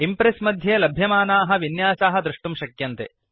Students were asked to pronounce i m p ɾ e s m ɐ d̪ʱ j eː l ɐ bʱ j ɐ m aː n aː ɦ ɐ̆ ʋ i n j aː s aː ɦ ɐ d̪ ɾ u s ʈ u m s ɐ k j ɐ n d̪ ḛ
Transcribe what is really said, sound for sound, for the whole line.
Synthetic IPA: i m p ɾ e s m ɐ d̪ʱ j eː l ɐ bʱ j ɐ m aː n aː ɦ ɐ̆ ʋ i n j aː s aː ɦ ɐ d̪ ɾ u ʂ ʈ u m ʃ ɐ k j ɐ n t̪ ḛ